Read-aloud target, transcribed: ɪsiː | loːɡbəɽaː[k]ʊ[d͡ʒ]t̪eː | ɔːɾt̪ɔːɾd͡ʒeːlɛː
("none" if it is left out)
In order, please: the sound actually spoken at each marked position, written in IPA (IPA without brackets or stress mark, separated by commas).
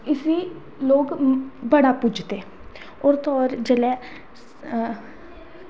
p, d͡ʒ